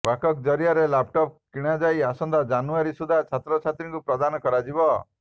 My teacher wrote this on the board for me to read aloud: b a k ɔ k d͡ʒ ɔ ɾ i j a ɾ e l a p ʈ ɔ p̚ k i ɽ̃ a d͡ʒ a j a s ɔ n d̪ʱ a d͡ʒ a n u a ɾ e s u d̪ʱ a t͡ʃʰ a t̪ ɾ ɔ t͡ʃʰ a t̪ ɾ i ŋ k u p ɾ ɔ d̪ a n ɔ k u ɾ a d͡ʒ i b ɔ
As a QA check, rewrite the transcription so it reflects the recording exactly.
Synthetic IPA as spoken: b a k ɔ k d͡ʒ ɔ ɾ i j a ɾ e l a p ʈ ɔ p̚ k i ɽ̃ a d͡ʒ a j a s ɔ n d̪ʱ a d͡ʒ a n u a ɾ i s u d̪ʱ a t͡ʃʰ a t̪ ɾ ɔ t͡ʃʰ a t̪ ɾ i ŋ k u p ɾ ɔ d̪ a n ɔ k ɔ ɾ a d͡ʒ i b ɔ